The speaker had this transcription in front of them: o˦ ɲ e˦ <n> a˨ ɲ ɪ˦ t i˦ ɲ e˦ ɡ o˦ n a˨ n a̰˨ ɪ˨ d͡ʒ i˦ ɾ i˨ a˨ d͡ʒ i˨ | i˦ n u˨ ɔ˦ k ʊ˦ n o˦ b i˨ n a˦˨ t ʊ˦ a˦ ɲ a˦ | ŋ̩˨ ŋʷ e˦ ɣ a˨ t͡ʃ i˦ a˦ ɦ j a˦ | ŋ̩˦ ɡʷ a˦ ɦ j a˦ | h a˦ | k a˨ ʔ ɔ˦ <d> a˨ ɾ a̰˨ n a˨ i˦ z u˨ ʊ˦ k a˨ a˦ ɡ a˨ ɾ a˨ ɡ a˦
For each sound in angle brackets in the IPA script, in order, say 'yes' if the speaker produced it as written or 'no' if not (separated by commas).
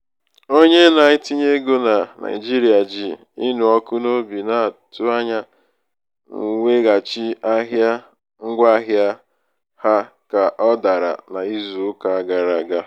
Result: yes, yes